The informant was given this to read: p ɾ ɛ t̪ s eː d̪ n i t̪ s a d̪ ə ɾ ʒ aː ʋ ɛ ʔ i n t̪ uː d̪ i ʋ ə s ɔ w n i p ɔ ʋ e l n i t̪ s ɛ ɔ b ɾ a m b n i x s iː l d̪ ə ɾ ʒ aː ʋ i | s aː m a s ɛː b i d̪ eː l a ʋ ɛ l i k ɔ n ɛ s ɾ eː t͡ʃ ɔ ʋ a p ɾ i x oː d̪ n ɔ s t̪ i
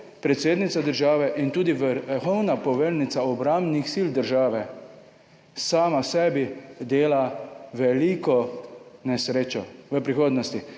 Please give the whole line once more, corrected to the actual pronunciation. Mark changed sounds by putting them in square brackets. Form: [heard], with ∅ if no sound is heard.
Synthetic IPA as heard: p ɾ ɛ t̪ s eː d̪ n i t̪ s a d̪ ə ɾ ʒ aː ʋ ɛ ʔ i n t̪ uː d̪ i ʋ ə [x] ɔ w n [a] p ɔ ʋ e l n i t̪ s [a] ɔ b ɾ a m b n i x s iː l d̪ ə ɾ ʒ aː ʋ [ɛ] | s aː m a s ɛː b i d̪ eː l a ʋ ɛ l i k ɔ n ɛ s ɾ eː t͡ʃ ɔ ʋ [ə] p ɾ i x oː d̪ n ɔ s t̪ i